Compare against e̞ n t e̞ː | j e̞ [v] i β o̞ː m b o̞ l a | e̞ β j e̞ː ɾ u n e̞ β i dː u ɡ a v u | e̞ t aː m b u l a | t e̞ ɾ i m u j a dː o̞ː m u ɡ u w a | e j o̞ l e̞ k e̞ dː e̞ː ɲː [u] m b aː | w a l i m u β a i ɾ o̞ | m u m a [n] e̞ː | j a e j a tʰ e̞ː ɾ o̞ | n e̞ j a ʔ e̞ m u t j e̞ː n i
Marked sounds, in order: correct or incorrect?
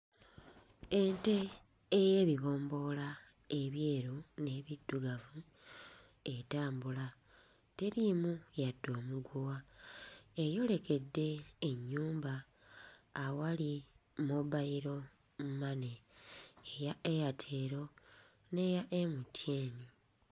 incorrect: β, incorrect: uː, correct

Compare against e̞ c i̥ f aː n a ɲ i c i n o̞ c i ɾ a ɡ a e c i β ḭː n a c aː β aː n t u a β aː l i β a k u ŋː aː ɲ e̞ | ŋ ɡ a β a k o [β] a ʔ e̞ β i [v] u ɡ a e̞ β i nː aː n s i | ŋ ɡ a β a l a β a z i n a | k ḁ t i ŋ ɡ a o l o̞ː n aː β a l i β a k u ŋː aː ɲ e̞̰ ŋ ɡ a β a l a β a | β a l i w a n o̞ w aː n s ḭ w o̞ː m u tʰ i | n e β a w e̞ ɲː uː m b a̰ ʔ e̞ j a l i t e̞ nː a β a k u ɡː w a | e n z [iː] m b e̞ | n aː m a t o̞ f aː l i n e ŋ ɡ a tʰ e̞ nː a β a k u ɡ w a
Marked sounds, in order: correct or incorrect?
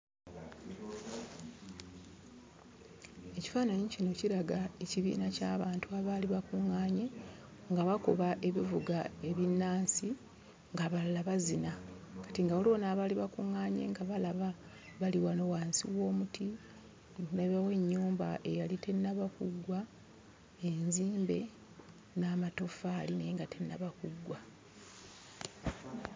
correct, correct, correct

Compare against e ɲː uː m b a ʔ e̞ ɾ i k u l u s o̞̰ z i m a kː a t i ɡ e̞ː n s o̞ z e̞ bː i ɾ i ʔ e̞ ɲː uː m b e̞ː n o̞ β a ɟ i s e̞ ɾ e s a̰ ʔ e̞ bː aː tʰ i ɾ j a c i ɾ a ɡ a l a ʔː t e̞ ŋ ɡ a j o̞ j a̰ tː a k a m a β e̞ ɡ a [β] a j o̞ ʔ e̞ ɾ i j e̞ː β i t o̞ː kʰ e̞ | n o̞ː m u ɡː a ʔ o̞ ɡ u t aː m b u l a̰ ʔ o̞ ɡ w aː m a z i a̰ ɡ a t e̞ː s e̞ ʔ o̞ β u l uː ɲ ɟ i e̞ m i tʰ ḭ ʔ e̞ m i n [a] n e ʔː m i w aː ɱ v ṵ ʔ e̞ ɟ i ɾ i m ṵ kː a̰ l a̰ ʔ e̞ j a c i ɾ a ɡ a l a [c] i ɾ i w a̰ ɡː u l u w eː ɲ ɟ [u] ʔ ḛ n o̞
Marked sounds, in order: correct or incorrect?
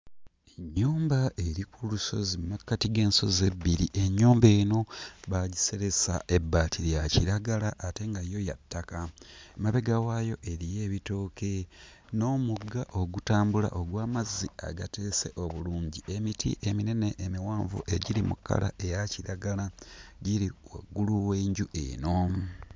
incorrect: w, incorrect: e, incorrect: ɟ, correct

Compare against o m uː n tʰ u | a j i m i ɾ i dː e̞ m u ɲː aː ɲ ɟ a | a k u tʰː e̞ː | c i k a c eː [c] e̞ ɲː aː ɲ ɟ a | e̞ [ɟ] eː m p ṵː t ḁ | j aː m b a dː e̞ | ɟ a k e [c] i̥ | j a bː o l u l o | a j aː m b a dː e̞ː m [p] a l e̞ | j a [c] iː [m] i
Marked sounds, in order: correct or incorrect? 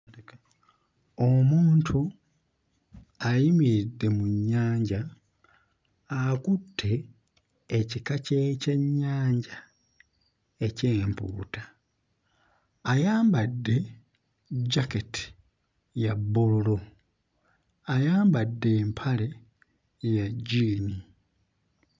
correct, incorrect: c, incorrect: t, incorrect: pʰ, incorrect: ɟ, incorrect: n

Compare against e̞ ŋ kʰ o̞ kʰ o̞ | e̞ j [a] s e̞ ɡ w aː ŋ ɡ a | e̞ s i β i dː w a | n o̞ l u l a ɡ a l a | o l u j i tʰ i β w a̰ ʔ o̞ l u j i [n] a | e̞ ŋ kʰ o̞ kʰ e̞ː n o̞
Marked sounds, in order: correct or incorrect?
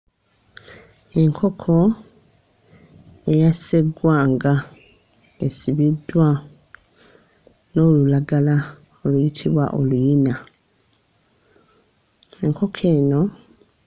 correct, correct

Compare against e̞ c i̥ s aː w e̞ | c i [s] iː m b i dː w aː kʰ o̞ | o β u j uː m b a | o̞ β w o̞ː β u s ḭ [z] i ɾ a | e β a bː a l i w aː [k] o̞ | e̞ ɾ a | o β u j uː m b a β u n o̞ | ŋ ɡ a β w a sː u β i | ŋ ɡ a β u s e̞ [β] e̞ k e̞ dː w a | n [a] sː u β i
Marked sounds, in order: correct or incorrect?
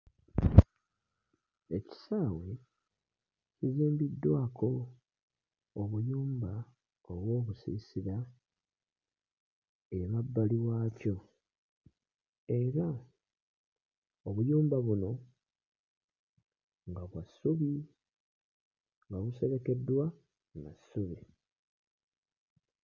incorrect: z, incorrect: s, incorrect: c, correct, correct

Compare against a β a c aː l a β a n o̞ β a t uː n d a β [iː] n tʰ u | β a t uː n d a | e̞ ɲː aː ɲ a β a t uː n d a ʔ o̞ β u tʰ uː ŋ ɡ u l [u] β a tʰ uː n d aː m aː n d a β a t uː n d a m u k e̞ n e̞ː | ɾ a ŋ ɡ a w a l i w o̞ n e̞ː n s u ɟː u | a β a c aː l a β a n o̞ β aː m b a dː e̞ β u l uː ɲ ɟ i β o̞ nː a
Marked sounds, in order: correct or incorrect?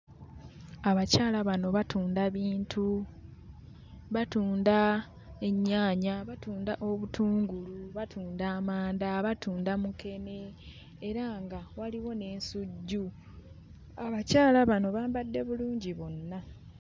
correct, correct

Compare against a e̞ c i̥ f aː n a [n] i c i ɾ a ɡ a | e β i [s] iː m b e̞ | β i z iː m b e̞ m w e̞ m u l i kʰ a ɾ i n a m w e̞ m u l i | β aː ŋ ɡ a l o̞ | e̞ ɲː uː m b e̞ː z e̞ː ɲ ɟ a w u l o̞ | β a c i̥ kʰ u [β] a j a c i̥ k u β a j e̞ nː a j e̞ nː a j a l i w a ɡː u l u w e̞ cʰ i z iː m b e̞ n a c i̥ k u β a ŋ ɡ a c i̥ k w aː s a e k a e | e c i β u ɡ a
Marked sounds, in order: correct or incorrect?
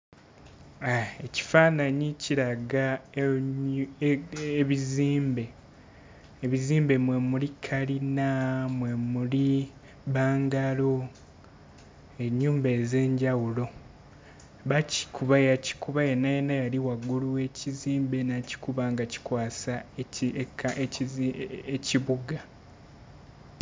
incorrect: ɲ, incorrect: z, correct

